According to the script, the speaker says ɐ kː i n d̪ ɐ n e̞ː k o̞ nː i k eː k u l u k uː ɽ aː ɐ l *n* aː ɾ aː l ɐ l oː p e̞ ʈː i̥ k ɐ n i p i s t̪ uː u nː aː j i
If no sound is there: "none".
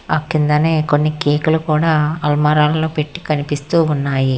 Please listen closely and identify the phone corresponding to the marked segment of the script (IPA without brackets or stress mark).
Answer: m